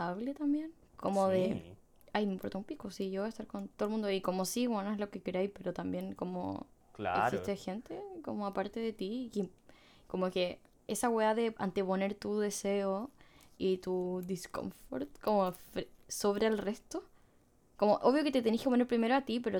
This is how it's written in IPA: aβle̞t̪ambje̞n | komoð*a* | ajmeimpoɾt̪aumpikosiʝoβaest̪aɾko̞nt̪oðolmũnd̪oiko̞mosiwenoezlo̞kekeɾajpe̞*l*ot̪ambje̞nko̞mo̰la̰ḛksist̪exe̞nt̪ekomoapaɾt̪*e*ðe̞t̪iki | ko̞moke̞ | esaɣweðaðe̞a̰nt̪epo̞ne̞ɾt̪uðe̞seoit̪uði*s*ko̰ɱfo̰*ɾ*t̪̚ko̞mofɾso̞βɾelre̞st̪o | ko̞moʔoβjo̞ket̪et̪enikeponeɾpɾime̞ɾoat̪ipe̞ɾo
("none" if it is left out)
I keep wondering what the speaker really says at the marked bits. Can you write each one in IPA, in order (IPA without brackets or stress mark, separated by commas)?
e, ɾ, e, s, ɾ